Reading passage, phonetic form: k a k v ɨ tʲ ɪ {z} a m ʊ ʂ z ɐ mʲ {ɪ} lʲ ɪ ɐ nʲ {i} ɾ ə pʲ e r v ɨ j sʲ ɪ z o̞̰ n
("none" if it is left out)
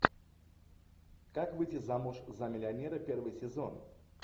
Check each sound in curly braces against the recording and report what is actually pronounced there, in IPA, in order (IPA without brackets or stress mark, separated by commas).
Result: z, ɪ, e